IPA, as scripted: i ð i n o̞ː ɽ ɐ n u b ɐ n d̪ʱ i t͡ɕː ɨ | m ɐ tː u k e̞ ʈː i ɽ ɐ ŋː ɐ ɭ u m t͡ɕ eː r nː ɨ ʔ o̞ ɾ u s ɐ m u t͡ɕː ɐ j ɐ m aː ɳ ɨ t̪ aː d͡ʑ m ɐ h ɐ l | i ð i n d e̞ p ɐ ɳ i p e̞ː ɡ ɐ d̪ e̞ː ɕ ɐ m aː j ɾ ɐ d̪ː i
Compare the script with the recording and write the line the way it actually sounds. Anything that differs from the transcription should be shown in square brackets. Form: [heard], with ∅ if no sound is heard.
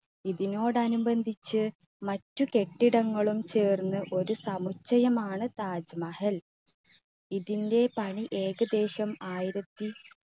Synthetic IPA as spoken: i ð i n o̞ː ɽ ɐ n u b ɐ n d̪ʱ i t͡ɕː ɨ | m ɐ tː u k e̞ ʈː i ɽ ɐ ŋː ɐ ɭ u m t͡ɕ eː r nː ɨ ʔ o̞ ɾ u s ɐ m u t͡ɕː ɐ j ɐ m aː ɳ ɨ t̪ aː d͡ʑ m ɐ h ɐ l | i ð i n d e̞ p ɐ ɳ i [ʔ] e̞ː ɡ ɐ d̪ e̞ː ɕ ɐ m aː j ɾ ɐ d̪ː i